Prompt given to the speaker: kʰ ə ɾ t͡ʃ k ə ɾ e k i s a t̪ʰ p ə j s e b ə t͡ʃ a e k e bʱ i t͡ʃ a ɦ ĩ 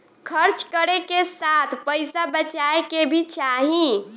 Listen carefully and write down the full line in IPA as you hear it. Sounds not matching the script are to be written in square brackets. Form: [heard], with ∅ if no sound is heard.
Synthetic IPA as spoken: kʰ ə ɾ t͡ʃ k ə ɾ e k [e] s a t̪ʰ p ə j s [a] b ə t͡ʃ a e k e bʱ i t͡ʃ a ɦ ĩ